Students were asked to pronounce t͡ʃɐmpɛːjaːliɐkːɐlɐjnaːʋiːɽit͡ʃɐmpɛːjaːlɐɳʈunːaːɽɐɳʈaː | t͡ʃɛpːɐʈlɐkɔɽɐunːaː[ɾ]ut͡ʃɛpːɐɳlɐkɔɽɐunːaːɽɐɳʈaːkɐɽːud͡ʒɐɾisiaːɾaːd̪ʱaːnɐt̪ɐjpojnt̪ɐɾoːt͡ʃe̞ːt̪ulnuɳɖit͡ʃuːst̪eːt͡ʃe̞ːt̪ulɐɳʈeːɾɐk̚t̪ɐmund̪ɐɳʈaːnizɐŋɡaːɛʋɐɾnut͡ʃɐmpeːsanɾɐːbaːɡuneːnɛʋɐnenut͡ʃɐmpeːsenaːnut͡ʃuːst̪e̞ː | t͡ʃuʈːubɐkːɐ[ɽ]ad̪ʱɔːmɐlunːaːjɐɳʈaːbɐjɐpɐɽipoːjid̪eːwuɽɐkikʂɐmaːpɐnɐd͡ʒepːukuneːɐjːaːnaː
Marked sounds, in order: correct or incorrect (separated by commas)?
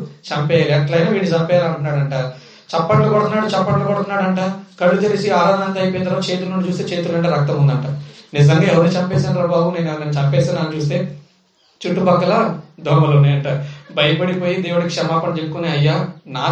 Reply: incorrect, incorrect